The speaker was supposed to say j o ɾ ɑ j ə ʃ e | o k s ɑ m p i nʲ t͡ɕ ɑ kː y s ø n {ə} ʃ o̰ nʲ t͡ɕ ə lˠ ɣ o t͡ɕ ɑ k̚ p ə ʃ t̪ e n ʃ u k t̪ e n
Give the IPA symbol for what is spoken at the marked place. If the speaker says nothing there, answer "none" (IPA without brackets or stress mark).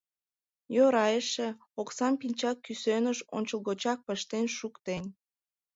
ə